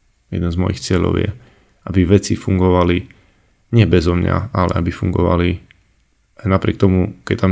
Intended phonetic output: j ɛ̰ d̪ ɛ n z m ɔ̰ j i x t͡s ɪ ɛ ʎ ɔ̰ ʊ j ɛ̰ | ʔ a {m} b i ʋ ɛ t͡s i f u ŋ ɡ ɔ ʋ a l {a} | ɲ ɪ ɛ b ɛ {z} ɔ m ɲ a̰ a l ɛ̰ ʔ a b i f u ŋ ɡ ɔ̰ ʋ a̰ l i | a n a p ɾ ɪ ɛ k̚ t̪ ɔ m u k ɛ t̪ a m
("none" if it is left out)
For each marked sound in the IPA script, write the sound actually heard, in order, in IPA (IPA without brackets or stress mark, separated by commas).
none, i, z